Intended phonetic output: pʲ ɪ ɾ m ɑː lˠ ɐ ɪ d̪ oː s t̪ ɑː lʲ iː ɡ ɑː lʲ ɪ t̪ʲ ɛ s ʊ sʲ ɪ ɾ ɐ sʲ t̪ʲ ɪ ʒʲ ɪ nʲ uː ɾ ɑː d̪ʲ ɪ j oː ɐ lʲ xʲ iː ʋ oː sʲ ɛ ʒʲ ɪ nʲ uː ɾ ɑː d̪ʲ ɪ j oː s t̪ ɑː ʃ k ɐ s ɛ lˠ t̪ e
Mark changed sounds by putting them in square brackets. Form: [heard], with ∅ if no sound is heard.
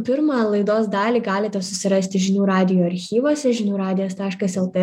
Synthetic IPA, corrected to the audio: pʲ ɪ ɾ m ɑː lˠ ɐ ɪ d̪ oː s [d̪] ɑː lʲ iː ɡ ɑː lʲ ɪ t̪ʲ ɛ s ʊ sʲ ɪ ɾ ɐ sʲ t̪ʲ ɪ ʒʲ ɪ nʲ uː ɾ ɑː d̪ʲ ɪ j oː ɐ [ɾʲ] xʲ iː ʋ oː sʲ ɛ ʒʲ ɪ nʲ uː ɾ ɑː d̪ʲ ɪ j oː s t̪ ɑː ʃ k ɐ s ɛ lˠ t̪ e